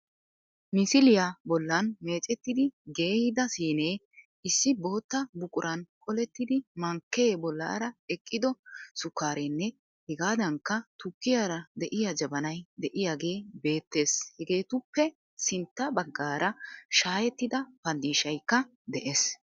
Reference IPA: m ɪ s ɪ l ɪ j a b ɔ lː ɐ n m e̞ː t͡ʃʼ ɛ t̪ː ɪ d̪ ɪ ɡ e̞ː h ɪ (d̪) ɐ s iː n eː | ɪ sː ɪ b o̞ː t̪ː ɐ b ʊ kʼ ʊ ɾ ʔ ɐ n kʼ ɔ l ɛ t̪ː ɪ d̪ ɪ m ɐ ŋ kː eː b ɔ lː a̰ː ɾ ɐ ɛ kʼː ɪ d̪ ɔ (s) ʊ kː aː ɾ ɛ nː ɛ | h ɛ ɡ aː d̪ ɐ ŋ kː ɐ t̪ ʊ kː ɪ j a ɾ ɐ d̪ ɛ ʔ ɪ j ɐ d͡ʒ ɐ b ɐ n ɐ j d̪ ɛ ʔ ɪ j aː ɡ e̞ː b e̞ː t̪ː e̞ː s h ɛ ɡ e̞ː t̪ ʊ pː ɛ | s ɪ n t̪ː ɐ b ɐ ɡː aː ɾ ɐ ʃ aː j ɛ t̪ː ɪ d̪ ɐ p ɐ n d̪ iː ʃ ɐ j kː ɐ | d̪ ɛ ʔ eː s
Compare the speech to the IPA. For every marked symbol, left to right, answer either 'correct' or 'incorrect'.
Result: correct, correct

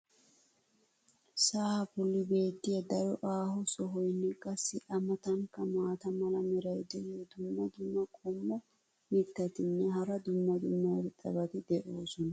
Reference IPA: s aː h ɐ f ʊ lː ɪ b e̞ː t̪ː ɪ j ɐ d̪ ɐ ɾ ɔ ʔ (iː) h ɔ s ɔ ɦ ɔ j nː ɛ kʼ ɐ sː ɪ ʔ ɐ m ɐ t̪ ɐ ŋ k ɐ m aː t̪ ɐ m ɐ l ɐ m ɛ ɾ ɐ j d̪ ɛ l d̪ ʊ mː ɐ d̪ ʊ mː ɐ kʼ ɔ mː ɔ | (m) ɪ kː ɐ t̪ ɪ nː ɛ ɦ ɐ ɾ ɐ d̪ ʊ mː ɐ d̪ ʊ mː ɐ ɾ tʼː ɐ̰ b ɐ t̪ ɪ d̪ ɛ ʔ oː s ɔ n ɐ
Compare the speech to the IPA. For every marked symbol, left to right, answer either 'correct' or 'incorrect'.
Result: incorrect, correct

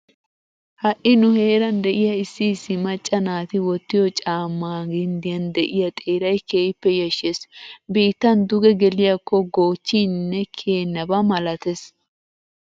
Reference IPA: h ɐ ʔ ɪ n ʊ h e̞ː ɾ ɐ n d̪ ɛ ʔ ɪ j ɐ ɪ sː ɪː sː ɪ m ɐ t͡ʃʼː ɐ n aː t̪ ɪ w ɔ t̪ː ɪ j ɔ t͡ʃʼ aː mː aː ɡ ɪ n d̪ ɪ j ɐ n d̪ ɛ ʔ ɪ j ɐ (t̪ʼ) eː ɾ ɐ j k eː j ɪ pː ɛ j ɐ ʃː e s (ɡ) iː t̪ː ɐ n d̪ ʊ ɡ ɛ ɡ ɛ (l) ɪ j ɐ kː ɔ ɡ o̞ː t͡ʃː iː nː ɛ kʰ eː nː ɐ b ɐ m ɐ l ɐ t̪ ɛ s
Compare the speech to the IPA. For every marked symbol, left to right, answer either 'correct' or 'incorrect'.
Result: correct, incorrect, correct

